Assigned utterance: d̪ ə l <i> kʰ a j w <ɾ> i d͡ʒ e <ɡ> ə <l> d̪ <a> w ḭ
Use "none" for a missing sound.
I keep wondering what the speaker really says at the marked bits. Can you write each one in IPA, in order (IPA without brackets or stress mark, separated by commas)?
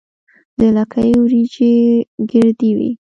a, ɾ, ɡ, ɾ, i